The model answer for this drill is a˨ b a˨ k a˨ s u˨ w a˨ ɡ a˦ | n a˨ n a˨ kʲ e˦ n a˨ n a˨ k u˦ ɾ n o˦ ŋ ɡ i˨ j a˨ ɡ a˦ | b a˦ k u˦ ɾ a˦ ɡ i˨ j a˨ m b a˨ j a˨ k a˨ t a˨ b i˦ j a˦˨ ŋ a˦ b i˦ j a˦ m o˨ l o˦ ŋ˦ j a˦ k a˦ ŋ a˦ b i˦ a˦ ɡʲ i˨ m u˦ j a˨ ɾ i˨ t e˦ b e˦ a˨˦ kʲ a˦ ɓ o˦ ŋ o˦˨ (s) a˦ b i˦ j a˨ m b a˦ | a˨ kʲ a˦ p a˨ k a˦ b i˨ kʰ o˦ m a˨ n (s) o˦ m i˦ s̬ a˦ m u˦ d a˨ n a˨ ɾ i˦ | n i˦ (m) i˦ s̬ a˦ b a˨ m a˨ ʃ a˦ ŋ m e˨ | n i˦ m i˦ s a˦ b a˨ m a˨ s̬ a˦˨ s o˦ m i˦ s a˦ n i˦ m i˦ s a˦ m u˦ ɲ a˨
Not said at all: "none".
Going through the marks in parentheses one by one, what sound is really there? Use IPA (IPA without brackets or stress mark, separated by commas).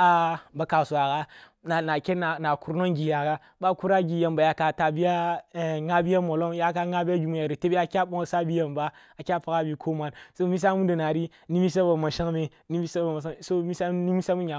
s, s, m